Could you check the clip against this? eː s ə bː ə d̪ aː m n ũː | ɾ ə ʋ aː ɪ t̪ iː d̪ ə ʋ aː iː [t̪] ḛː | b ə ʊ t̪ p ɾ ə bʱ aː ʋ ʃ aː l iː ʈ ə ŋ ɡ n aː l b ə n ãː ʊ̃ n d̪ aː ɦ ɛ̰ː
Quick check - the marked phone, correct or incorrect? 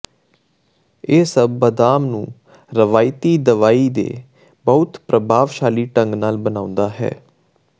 incorrect